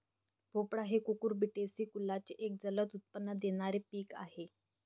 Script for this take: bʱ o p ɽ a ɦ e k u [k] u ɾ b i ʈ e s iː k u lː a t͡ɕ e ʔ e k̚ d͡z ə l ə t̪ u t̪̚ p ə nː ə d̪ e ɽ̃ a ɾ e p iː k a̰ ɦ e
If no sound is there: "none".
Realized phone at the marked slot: k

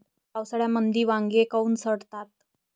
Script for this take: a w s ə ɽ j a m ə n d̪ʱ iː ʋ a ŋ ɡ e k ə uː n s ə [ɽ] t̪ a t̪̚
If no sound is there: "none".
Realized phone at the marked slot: ɽ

